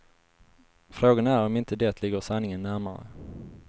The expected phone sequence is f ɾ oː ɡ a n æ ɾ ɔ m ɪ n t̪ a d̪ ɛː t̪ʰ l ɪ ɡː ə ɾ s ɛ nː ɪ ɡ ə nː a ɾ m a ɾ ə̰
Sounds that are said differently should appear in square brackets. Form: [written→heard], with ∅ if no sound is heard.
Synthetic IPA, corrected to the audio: f ɾ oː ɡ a n æ ɾ ɔ m ɪ n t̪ [a→ə] d̪ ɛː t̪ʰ l ɪ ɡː ə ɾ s [ɛ→a] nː ɪ [ɡ→ŋ] ə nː [a→æ] ɾ m a ɾ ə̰